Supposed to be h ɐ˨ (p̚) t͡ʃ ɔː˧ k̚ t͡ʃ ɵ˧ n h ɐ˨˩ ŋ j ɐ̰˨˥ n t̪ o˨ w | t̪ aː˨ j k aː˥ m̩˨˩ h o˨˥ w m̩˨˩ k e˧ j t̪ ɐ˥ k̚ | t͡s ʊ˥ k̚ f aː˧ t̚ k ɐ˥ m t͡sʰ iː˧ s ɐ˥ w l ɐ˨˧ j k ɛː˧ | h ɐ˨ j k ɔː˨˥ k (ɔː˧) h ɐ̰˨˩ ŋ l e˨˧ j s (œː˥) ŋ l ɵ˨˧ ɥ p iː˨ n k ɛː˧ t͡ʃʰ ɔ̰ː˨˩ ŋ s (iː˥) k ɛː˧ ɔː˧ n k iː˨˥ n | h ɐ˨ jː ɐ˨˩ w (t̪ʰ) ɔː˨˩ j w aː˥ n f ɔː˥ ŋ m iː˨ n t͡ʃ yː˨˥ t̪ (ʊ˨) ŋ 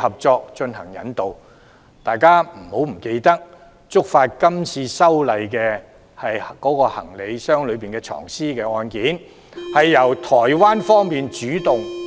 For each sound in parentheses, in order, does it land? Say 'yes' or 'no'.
yes, yes, yes, yes, yes, yes

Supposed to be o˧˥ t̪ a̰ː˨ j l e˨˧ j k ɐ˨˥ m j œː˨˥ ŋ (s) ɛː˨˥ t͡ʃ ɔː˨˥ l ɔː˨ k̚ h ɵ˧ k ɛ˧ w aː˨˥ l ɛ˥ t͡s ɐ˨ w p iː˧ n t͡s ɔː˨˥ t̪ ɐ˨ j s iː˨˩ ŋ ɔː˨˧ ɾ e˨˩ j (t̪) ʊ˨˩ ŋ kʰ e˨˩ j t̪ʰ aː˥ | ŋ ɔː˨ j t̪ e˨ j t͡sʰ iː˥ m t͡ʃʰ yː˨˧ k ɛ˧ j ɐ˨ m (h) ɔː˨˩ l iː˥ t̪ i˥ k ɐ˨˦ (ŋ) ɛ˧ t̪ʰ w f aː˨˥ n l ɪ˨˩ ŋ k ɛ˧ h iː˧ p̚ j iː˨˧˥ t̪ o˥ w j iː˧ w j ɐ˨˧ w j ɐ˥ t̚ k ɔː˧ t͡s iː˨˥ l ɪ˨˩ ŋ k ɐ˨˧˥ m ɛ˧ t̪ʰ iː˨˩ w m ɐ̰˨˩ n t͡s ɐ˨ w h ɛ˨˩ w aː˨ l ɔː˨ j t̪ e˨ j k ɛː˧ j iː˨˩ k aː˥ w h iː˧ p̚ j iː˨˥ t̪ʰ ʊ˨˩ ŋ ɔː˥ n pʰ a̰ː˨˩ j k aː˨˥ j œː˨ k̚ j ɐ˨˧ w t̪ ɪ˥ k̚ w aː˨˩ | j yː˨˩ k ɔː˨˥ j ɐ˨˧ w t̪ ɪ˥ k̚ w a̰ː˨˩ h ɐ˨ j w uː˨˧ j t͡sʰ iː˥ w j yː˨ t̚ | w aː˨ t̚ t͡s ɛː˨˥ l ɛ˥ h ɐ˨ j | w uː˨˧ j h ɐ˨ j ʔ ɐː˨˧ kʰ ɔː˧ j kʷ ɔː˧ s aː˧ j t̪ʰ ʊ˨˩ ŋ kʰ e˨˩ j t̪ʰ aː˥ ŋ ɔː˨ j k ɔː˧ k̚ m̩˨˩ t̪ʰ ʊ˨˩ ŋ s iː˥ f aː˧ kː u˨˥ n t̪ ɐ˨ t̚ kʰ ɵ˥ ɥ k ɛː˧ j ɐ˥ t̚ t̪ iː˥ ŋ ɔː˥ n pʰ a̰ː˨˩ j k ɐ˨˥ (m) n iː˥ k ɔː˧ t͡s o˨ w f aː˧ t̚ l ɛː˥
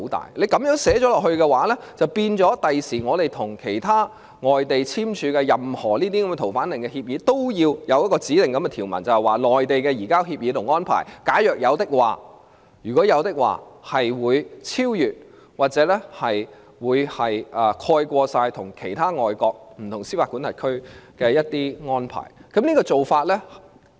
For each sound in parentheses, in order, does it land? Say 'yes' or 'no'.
yes, no, yes, no, yes

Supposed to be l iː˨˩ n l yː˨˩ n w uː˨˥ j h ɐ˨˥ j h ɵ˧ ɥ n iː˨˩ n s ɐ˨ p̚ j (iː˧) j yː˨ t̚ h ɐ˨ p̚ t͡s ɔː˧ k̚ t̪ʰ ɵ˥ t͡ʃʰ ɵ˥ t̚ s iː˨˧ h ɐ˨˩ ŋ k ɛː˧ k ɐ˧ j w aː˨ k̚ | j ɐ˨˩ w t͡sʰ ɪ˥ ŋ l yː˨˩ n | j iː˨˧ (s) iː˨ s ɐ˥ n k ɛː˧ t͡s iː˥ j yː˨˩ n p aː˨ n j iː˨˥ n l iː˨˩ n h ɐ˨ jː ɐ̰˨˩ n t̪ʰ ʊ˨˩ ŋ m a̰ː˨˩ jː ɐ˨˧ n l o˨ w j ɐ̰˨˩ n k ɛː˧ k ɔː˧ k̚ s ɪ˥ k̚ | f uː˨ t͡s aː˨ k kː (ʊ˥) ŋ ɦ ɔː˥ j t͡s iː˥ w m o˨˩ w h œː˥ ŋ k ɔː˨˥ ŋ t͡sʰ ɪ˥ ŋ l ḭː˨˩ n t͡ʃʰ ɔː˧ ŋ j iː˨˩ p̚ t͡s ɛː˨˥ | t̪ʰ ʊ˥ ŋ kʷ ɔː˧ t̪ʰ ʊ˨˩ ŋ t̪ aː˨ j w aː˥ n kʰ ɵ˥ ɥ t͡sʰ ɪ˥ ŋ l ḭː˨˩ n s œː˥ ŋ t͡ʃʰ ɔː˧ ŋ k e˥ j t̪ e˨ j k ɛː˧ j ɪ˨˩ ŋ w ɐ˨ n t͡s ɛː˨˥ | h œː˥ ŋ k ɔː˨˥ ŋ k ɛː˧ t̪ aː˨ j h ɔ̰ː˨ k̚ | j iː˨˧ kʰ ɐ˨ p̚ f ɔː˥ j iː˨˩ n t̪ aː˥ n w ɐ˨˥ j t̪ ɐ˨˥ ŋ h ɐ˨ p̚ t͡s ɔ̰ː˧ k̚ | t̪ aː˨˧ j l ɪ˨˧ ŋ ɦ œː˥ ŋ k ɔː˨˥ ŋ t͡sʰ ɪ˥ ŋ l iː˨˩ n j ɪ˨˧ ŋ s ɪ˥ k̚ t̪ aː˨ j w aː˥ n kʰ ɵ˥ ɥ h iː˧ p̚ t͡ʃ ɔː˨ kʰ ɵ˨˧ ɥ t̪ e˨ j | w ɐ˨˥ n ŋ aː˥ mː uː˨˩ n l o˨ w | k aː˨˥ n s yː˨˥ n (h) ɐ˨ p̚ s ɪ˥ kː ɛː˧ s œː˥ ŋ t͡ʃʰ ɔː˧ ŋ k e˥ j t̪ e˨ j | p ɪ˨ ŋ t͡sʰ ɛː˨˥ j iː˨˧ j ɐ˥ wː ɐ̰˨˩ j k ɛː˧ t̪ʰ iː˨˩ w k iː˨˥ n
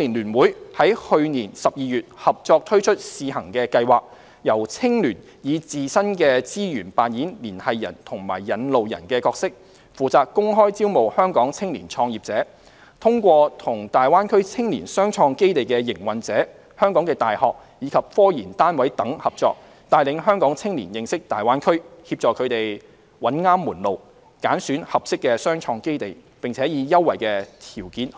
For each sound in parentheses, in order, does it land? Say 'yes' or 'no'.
yes, no, yes, yes

